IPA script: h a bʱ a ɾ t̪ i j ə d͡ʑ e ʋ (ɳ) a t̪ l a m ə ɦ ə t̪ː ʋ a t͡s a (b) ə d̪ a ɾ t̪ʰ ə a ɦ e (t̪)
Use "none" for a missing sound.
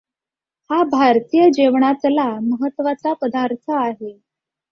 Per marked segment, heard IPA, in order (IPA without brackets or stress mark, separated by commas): ɳ, p, none